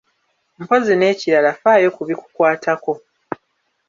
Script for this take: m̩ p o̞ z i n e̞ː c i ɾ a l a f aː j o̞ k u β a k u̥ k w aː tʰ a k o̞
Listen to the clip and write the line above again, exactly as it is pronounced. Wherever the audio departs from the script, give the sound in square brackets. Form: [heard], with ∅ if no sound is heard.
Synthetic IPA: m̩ p o̞ z i n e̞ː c i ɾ a l a f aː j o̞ k u β [i] k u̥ k w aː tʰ a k o̞